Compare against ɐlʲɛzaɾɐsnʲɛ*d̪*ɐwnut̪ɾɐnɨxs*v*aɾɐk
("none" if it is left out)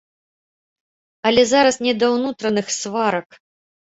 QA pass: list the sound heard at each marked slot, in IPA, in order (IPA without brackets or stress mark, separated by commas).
d̪, v